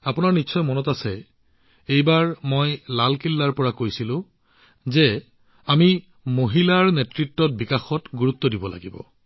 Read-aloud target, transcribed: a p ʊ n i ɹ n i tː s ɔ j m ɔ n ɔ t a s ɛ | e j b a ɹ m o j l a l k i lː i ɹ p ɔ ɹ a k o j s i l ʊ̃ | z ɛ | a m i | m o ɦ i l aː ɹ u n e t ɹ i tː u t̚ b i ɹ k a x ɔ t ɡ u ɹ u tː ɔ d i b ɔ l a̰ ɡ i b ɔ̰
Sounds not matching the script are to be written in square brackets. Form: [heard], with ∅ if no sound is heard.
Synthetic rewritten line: a p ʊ n [a] ɹ n i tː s ɔ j m ɔ n ɔ t a s ɛ | e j b a ɹ m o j l a l k i lː [a] ɹ p ɔ ɹ a k o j s i l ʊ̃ | z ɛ | a m i | m o ɦ i l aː ɹ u n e t ɹ i tː [ɔ] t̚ b i [∅] k a x ɔ t ɡ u ɹ u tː ɔ d i b ɔ l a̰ ɡ i b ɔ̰

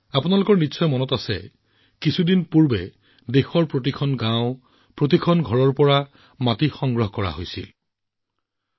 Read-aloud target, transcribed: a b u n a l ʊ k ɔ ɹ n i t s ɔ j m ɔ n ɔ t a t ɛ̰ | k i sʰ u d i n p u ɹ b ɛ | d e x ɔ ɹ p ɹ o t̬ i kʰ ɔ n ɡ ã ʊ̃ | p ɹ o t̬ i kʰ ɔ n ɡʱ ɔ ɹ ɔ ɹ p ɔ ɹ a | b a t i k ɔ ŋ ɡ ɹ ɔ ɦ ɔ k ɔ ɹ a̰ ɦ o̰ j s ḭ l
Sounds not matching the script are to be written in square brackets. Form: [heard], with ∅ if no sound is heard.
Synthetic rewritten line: a [p] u n a l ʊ k ɔ ɹ n i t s ɔ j m ɔ n ɔ t a [s] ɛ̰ | k i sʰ u d i n p u ɹ b ɛ | d e x ɔ ɹ p ɹ o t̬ i kʰ ɔ n ɡ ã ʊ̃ | p ɹ o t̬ i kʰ ɔ n ɡʱ ɔ ɹ ɔ ɹ p ɔ ɹ a | [m] a t i [x] ɔ ŋ ɡ ɹ ɔ ɦ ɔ k ɔ ɹ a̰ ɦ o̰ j s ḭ l

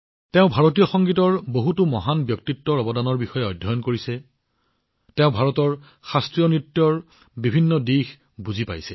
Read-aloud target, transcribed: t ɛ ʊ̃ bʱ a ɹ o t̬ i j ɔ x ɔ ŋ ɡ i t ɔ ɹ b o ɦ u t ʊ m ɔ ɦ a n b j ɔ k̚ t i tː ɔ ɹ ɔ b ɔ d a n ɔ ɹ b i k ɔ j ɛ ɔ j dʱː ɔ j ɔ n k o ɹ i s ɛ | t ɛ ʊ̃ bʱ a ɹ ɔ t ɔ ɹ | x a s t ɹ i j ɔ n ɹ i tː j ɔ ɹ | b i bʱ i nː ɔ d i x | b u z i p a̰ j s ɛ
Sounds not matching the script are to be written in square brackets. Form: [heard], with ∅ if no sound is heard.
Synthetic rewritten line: t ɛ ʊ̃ bʱ a ɹ o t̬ i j ɔ x ɔ ŋ ɡ i t ɔ ɹ b o ɦ u t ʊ m ɔ ɦ a n b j ɔ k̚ t i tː ɔ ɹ ɔ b ɔ d a n ɔ ɹ b i [x] ɔ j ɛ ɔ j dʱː ɔ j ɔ n k o ɹ i s ɛ | t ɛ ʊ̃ bʱ a ɹ ɔ t ɔ ɹ | x a s t ɹ i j ɔ n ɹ i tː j ɔ ɹ | b i bʱ i nː ɔ d i x | b u z i p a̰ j s ɛ

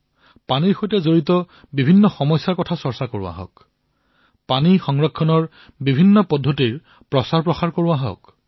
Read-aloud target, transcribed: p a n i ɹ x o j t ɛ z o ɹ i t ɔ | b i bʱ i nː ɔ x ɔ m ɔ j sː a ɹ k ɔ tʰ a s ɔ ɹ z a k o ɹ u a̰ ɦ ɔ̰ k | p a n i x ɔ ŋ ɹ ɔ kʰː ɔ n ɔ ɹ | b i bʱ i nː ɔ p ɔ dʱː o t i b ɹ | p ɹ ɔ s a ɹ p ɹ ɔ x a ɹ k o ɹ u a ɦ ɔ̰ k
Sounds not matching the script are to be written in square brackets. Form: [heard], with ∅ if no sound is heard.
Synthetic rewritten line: p a n i ɹ x o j t ɛ z o ɹ i t ɔ | b i bʱ i nː ɔ x ɔ m ɔ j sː a ɹ k ɔ tʰ a s ɔ ɹ [s] a k o ɹ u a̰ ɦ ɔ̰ k | p a n i x ɔ ŋ ɹ ɔ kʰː ɔ n ɔ ɹ | b i bʱ i nː ɔ p ɔ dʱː o t i [∅] ɹ | p ɹ ɔ s a ɹ p ɹ ɔ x a ɹ k o ɹ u a ɦ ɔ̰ k

